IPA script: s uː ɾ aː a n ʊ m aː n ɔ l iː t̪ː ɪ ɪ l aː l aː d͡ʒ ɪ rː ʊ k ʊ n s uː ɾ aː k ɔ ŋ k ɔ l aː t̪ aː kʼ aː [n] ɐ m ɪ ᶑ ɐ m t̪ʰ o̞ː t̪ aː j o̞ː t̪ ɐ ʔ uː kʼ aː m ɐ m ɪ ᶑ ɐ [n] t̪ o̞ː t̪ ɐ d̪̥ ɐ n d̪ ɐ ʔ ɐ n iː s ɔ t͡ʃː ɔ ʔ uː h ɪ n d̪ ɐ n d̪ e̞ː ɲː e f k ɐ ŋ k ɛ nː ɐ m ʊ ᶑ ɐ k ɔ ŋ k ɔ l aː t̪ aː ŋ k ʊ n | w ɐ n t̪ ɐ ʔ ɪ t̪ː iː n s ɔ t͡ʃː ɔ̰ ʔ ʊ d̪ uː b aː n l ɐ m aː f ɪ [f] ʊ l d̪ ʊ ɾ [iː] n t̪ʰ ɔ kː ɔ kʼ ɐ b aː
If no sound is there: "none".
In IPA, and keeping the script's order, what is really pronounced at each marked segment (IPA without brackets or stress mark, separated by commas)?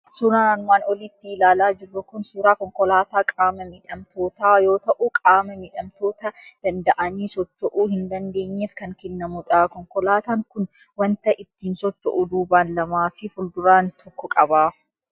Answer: m, m, f, aː